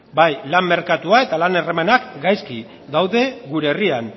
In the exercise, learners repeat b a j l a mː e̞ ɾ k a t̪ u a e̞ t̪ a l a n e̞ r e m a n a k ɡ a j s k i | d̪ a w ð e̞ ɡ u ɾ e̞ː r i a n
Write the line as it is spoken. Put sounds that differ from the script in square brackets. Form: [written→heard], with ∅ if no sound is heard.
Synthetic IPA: b a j l a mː e̞ ɾ k a t̪ u a e̞ t̪ a l a n e̞ r e m a n a k ɡ a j s k i | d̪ a w ð e̞ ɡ u ɾ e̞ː r i a n